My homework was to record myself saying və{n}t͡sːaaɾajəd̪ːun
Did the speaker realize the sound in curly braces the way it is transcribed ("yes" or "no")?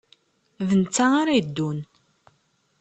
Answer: yes